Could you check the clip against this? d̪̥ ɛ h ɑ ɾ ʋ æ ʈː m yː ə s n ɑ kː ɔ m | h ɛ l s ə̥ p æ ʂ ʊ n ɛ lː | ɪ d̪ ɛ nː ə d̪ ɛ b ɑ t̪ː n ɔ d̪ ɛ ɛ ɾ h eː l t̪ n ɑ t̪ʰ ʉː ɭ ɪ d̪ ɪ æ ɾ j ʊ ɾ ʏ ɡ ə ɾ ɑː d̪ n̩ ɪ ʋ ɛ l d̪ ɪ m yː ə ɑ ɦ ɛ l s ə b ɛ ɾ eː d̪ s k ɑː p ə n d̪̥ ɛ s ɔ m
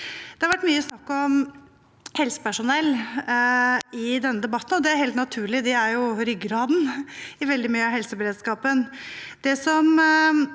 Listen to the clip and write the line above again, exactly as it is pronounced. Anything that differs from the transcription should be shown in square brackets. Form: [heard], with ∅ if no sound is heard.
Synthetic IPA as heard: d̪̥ ɛ h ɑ ɾ ʋ æ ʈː m yː ə s n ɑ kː ɔ m | h ɛ l s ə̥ p æ ʂ ʊ n ɛ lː | ɪ d̪ ɛ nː ə d̪ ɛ b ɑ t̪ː n ɔ d̪ ɛ [æ] ɾ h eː l t̪ n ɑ t̪ʰ ʉː ɭ ɪ d̪ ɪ æ ɾ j ʊ ɾ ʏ ɡ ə ɾ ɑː d̪ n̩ ɪ ʋ ɛ l d̪ ɪ m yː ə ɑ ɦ ɛ l s ə b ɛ ɾ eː d̪ s k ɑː p ə n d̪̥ ɛ s ɔ m